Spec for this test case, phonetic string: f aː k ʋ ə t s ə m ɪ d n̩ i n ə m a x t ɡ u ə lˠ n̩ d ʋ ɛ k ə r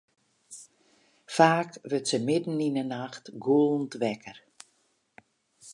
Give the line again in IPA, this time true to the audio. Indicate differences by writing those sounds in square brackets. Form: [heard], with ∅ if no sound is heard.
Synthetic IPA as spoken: f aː k ʋ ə t s ə m ɪ d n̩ i n ə [n] a x t ɡ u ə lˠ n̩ [t] ʋ ɛ k ə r